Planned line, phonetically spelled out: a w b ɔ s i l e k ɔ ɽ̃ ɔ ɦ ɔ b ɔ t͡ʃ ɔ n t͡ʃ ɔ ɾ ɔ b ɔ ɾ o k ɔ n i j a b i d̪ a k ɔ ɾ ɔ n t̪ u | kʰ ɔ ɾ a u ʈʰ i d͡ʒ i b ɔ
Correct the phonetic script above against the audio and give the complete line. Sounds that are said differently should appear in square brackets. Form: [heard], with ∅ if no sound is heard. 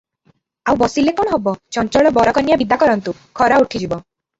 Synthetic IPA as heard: a w b ɔ s i l e k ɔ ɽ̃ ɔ ɦ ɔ b ɔ t͡ʃ ɔ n t͡ʃ ɔ [ɭ] ɔ b ɔ ɾ [ɔ] k ɔ n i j a b i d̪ a k ɔ ɾ ɔ n t̪ u | kʰ ɔ ɾ a u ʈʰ i d͡ʒ i b ɔ